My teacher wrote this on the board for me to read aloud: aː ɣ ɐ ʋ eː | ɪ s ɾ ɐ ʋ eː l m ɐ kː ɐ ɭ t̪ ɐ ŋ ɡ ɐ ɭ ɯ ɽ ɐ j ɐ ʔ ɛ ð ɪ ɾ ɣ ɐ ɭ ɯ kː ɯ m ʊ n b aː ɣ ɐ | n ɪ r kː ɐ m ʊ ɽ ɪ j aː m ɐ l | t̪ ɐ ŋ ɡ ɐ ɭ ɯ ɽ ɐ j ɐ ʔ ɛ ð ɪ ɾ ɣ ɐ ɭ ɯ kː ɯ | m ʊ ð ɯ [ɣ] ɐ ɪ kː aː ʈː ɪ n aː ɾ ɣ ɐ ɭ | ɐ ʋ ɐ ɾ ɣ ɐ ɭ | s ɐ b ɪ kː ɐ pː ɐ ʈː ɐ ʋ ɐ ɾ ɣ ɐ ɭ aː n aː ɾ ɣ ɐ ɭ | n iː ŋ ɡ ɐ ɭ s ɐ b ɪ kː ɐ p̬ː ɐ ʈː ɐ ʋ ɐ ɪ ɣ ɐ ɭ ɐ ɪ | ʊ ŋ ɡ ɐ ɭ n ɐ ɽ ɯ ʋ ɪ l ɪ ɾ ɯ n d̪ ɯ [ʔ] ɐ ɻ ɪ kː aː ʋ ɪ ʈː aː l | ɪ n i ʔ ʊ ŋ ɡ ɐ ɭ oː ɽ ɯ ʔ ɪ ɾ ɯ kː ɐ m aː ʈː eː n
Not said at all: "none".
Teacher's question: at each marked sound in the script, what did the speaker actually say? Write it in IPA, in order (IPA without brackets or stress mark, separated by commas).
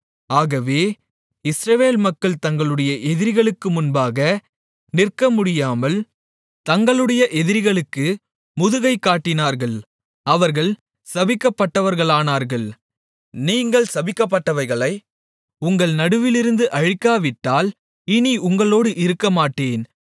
ɣ, ʔ